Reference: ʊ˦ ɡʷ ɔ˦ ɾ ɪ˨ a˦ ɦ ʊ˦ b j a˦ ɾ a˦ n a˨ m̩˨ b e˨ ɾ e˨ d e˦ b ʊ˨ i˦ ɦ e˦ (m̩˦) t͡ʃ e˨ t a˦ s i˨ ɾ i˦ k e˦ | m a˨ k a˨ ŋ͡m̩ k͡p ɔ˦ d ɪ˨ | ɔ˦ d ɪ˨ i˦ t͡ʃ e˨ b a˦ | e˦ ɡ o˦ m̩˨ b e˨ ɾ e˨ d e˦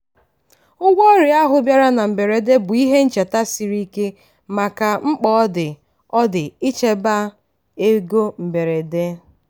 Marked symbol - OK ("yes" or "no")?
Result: no